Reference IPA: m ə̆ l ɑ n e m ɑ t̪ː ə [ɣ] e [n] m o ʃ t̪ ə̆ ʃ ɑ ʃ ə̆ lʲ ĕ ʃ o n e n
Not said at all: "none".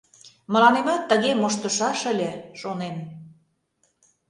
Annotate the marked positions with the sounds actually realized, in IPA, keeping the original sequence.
ɣ, none

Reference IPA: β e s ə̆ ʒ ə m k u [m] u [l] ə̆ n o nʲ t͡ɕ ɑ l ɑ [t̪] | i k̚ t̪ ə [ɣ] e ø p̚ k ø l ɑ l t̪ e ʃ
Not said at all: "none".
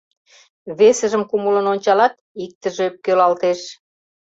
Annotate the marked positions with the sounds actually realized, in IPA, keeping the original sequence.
m, l, t̪, ʒ

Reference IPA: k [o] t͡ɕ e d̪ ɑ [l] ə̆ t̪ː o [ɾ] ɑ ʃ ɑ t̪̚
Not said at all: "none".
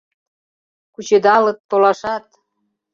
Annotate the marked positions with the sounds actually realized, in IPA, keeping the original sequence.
u, l, l

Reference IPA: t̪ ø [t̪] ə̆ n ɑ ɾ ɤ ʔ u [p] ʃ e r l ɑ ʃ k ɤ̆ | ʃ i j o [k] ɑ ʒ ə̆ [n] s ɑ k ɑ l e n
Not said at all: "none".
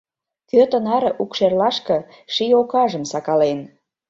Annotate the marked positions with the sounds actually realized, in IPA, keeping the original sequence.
t̪, k, k, m

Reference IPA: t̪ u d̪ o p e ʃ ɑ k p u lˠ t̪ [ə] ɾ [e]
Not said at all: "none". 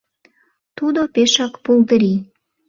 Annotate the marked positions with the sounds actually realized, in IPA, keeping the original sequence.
ə, i

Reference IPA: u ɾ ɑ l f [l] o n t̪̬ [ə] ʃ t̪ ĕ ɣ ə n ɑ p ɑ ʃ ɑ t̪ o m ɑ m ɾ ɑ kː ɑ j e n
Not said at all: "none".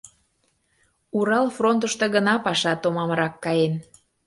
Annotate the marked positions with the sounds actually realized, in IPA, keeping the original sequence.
r, ə

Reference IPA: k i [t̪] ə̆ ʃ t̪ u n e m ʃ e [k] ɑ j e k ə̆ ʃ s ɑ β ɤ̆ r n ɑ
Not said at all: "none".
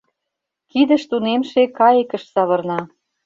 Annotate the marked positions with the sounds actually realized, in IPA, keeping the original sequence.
d̪, k

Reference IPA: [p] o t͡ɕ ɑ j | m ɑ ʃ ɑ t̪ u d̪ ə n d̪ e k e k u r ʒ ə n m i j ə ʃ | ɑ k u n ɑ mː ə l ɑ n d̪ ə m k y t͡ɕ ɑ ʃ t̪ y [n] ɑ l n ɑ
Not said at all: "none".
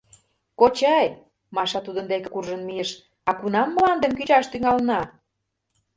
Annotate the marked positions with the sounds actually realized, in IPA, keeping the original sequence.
k, ŋ

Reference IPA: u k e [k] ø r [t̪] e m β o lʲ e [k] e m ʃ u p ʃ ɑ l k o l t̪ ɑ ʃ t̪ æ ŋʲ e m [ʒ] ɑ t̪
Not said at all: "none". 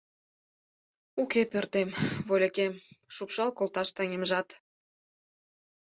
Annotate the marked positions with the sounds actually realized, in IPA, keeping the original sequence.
p, t̪, k, ʒ

